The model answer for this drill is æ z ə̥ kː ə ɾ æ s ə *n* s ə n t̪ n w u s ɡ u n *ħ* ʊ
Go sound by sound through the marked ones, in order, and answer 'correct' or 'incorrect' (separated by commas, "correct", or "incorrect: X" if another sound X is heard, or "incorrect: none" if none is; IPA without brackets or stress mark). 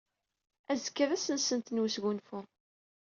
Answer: correct, incorrect: f